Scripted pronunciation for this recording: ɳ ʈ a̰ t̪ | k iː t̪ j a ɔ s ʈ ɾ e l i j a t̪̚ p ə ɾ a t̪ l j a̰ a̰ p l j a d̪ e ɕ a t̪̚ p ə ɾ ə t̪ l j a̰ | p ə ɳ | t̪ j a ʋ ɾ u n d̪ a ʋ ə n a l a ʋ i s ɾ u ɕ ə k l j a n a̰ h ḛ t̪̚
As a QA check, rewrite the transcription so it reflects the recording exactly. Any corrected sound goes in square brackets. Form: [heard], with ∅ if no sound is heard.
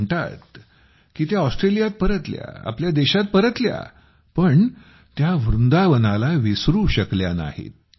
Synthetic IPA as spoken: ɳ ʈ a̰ t̪ | k iː t̪ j a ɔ s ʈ ɾ e l i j a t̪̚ p ə ɾ [ə] t̪ l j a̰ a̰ p l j a d̪ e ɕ a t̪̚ p ə ɾ ə t̪ l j a̰ | p ə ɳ | t̪ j a ʋ ɾ u n d̪ a ʋ ə n a l a ʋ i s ɾ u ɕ ə k l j a n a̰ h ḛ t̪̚